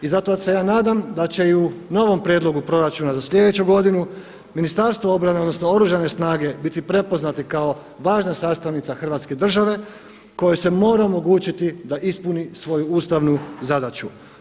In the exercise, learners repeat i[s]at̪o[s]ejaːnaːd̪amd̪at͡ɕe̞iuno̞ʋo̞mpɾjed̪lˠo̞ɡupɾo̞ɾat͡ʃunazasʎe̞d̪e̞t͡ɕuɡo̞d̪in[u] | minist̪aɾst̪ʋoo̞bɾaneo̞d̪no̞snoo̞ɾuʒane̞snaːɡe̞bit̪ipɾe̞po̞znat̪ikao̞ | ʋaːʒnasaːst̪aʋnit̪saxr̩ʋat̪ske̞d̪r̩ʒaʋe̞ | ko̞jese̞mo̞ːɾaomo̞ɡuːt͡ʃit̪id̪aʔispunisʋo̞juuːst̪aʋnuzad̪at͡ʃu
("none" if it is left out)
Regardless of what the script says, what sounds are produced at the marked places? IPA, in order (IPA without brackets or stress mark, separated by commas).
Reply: z, s, u